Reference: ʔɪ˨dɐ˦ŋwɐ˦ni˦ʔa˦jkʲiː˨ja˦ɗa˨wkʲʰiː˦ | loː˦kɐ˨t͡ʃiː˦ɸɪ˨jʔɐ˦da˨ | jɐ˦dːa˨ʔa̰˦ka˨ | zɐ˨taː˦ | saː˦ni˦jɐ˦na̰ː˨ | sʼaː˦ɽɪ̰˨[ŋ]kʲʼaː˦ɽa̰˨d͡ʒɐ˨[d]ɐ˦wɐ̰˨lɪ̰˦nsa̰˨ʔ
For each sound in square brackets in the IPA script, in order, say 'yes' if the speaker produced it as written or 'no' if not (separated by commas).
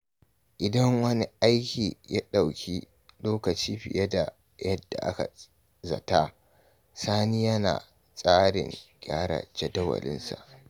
yes, yes